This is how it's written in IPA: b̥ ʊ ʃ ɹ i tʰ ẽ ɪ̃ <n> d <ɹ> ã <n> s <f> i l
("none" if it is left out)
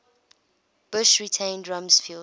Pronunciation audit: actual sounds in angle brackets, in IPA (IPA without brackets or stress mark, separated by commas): n, ɹ, m, f